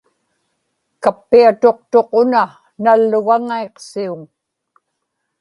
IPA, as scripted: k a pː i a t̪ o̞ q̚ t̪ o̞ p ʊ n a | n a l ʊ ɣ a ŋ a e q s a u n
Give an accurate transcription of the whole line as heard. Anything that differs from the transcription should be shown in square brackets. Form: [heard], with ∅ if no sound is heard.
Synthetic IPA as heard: k a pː i a t̪ o̞ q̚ t̪ o̞ [q] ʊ n a | n a [lː] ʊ ɣ a ŋ a e q s [i] u [ŋ]